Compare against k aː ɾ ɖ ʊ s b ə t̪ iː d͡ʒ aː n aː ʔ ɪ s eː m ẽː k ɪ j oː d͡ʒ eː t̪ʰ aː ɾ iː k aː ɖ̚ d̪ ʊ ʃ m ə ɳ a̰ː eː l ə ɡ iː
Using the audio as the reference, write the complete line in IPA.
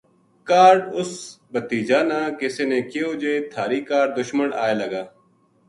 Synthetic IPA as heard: k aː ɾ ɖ ʊ s b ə t̪ iː d͡ʒ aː n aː k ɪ s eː n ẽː k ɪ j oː d͡ʒ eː t̪ʰ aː ɾ iː k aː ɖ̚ d̪ ʊ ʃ m ə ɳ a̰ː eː l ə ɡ aː